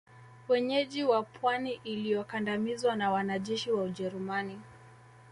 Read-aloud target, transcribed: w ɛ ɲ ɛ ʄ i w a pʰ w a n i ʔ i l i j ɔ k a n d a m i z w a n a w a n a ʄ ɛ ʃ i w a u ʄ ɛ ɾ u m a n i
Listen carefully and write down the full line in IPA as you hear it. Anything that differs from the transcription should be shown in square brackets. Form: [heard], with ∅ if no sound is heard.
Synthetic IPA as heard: w ɛ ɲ ɛ ʄ i w a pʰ w a n i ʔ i l i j ɔ k a n d a m i z w a n a w a n a ʄ ɛ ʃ i w a u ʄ ɛ ɾ u m a n i